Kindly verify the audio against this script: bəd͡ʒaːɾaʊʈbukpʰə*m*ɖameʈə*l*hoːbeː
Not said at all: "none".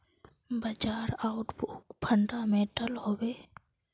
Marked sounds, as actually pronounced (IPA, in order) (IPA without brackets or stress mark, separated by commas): ɳ, l